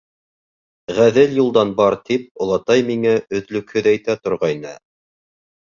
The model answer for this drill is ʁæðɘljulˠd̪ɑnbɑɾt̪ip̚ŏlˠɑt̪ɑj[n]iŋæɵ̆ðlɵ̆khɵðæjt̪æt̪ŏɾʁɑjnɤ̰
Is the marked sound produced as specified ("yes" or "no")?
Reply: no